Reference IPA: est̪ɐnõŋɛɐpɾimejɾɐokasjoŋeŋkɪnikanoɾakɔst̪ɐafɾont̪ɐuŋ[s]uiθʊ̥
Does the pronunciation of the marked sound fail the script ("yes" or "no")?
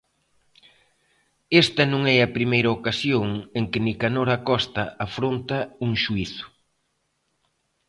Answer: yes